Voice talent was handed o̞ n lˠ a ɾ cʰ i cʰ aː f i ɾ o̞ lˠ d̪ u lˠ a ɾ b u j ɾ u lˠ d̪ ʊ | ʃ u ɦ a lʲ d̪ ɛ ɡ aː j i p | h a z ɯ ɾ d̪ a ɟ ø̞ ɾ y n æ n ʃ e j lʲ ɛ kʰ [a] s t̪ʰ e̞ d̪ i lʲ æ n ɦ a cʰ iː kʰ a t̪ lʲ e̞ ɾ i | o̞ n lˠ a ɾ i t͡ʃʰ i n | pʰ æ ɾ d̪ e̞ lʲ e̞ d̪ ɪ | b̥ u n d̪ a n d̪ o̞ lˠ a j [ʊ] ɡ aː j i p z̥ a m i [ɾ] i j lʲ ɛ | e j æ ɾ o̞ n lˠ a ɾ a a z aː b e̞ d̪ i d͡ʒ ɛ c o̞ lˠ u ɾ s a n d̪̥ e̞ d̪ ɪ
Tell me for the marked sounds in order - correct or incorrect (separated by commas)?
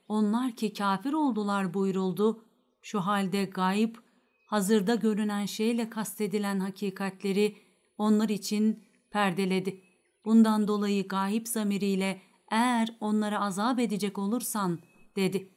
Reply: correct, incorrect, correct